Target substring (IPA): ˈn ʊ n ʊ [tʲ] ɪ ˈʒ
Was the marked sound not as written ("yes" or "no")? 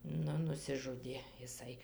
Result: yes